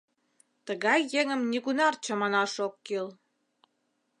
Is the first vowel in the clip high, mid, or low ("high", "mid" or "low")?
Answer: mid